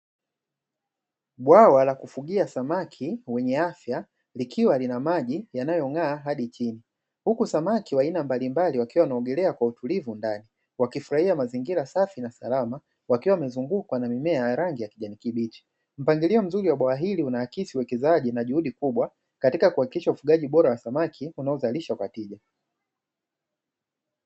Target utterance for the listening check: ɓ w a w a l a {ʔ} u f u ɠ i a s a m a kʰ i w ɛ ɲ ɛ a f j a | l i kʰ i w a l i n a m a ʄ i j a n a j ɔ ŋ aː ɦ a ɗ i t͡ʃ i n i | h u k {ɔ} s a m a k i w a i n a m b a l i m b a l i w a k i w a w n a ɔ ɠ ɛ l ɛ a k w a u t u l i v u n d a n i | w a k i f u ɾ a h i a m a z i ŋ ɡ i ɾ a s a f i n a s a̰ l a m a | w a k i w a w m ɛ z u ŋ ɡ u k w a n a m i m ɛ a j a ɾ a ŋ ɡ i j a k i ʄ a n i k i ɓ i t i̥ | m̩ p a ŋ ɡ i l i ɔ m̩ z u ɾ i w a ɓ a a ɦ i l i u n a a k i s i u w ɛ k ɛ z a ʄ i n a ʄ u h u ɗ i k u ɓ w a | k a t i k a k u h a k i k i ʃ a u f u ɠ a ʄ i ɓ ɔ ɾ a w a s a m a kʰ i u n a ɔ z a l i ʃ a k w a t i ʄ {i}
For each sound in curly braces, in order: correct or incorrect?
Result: incorrect: k, incorrect: u, incorrect: a

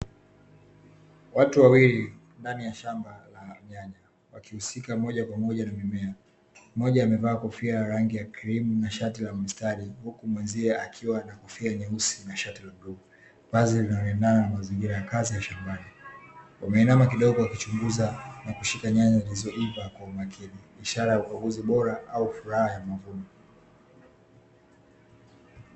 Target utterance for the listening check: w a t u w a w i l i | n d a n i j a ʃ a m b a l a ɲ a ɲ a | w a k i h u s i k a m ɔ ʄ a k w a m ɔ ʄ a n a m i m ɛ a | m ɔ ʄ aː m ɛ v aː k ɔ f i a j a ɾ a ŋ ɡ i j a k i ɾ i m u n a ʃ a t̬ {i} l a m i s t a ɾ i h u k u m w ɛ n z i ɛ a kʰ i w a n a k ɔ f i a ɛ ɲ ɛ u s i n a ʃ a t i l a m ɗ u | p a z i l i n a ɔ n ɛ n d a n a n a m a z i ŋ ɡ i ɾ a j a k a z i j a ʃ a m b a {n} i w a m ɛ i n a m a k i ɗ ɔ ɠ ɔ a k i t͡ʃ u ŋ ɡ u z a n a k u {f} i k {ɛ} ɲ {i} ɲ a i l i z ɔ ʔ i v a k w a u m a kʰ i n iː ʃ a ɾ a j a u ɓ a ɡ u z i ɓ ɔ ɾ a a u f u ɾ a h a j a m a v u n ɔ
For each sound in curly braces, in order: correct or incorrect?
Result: correct, correct, incorrect: ʃ, incorrect: a, incorrect: a

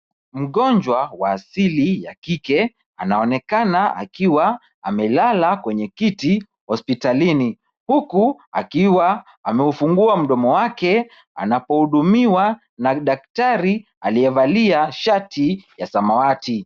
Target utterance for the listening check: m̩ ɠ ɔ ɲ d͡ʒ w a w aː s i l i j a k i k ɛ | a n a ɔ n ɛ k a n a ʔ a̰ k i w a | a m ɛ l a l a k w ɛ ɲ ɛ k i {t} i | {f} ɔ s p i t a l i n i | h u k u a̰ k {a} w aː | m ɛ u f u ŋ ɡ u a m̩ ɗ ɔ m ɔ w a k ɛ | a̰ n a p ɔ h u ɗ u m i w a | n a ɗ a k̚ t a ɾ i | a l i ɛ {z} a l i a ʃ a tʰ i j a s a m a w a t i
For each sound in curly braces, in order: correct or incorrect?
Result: correct, incorrect: h, incorrect: i, incorrect: v

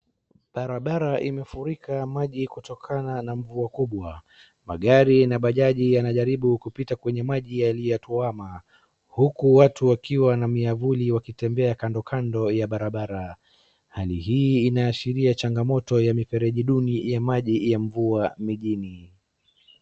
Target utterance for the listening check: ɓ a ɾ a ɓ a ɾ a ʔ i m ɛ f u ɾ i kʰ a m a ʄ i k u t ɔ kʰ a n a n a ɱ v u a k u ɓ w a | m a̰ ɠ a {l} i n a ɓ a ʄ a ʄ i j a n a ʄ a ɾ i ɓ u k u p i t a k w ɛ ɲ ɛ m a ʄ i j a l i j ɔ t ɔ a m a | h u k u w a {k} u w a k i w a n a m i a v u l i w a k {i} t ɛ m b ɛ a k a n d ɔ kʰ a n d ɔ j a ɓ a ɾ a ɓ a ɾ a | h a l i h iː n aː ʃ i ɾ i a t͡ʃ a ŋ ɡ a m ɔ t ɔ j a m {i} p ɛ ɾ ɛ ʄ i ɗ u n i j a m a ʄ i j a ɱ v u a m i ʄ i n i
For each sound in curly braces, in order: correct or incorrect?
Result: incorrect: ɾ, incorrect: t, correct, correct

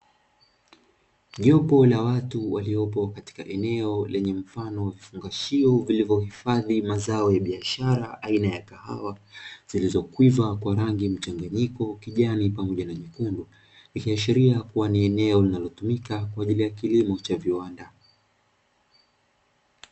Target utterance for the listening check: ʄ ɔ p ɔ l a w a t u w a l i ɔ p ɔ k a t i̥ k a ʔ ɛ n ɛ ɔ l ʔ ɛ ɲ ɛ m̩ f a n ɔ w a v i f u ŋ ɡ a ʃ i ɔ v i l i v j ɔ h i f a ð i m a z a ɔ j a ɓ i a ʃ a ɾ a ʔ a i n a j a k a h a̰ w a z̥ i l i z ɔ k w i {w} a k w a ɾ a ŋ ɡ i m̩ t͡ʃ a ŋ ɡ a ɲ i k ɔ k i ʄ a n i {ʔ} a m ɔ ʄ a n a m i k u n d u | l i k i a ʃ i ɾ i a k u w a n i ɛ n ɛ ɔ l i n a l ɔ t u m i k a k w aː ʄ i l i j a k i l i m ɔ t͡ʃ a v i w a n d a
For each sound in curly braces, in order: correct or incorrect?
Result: incorrect: v, incorrect: p

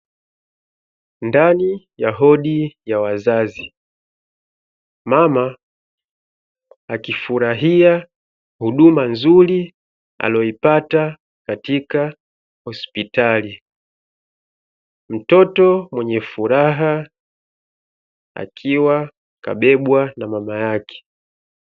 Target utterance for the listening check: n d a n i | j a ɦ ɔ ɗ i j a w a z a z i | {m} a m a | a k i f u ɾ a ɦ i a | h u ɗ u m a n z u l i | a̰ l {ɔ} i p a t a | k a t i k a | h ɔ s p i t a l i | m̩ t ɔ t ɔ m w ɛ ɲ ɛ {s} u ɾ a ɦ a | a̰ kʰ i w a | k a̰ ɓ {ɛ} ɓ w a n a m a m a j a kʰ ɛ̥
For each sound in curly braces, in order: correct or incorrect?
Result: correct, correct, incorrect: f, correct

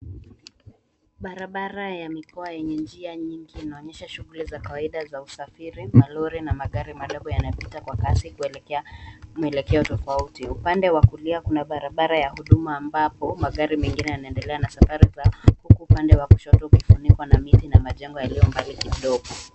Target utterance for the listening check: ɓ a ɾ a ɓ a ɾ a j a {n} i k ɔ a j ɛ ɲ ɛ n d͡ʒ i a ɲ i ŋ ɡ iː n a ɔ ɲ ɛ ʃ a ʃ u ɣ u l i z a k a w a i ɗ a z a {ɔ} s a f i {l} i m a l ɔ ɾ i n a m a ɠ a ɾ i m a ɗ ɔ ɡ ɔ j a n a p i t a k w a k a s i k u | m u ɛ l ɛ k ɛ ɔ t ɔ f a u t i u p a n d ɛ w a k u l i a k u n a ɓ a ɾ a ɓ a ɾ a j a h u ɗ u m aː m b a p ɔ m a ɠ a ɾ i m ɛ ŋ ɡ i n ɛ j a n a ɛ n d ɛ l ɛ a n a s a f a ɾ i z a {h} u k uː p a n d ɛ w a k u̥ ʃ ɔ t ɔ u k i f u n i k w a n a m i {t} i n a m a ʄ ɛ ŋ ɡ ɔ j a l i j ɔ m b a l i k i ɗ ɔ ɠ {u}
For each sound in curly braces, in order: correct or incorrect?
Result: incorrect: m, incorrect: u, incorrect: ɾ, correct, correct, incorrect: ɔ

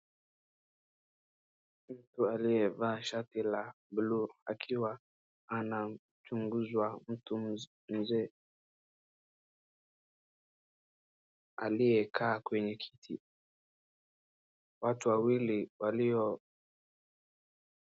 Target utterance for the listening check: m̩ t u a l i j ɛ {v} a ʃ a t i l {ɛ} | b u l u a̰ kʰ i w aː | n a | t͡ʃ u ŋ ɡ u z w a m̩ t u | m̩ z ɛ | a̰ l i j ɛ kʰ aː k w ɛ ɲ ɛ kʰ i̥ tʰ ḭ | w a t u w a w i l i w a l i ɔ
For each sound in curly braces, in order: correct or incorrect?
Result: correct, incorrect: a

